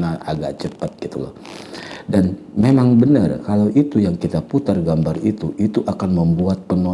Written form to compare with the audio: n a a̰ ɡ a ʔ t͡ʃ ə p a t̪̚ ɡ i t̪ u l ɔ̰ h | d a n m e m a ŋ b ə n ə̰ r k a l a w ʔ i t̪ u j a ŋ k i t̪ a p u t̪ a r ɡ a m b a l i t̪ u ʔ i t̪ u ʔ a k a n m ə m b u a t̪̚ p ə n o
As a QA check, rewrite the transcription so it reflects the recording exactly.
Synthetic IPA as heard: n a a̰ ɡ a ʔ t͡ʃ ə p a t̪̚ ɡ i t̪ u l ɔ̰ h | d a n m e m a ŋ b ə n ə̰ r k a l a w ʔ i t̪ u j a ŋ k i t̪ a p u t̪ a r ɡ a m b a r i t̪ u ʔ i t̪ u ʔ a k a n m ə m b u a t̪̚ p ə n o